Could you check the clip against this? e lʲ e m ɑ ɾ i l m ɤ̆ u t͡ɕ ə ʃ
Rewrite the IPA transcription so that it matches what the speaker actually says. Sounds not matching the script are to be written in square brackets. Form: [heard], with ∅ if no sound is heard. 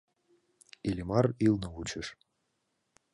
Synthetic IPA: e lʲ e m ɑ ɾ i l [n] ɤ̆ u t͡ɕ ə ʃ